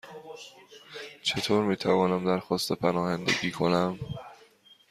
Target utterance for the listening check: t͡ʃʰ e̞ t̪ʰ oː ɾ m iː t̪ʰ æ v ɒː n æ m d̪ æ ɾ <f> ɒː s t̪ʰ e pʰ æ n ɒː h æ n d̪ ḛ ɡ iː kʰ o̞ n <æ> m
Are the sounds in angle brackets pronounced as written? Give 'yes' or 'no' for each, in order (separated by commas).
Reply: no, yes